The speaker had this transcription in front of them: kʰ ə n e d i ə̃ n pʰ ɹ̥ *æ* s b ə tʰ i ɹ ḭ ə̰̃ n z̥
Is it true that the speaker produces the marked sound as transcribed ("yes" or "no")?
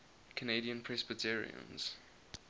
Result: no